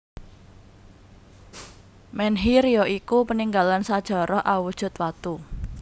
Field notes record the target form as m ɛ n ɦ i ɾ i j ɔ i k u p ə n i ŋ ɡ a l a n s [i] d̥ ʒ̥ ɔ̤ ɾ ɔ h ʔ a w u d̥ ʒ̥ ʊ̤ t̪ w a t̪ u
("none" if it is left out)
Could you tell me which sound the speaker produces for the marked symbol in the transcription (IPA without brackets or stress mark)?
a